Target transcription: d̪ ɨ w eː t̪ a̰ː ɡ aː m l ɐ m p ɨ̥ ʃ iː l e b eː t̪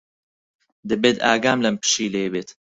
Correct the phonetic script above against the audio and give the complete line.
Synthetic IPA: d̪ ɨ b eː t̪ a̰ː ɡ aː m l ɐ m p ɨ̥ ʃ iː l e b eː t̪